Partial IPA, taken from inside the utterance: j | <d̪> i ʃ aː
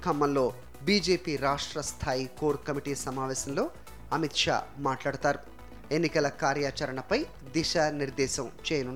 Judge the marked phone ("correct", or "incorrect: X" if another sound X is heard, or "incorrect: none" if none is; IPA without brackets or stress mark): correct